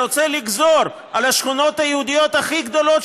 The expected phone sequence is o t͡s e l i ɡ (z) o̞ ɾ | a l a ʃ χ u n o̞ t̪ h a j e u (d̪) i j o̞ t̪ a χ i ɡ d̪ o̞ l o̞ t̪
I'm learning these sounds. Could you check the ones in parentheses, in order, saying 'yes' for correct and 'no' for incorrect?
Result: yes, yes

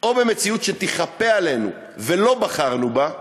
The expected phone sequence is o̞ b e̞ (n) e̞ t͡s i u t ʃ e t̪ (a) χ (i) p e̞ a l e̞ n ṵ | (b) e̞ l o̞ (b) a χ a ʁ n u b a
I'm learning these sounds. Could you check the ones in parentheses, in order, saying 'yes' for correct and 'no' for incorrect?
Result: no, no, no, no, yes

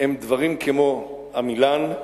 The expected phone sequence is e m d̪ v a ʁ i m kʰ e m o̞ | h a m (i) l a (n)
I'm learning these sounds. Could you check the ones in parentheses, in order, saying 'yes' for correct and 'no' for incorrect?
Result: yes, yes

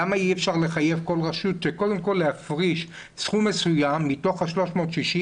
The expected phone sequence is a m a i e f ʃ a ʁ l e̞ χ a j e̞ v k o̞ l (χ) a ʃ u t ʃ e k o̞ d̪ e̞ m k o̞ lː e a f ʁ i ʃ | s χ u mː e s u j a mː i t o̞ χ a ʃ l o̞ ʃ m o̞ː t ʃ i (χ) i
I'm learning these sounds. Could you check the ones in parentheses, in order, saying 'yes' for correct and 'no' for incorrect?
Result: no, no

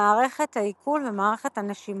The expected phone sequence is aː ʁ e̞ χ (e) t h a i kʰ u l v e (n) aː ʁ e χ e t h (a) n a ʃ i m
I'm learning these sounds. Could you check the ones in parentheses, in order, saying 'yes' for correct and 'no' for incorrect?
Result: yes, no, yes

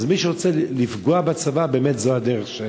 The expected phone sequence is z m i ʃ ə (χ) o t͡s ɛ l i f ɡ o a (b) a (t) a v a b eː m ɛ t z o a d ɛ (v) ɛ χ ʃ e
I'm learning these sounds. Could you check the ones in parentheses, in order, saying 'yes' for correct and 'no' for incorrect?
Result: no, yes, no, no

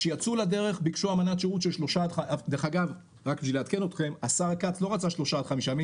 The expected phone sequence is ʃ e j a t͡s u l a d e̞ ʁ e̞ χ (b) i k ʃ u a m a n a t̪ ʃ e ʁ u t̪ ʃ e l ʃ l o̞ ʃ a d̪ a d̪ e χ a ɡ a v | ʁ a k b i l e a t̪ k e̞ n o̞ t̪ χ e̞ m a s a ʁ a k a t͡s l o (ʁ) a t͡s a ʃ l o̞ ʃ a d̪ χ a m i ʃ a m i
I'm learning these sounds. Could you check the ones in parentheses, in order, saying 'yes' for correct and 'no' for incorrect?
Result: yes, yes

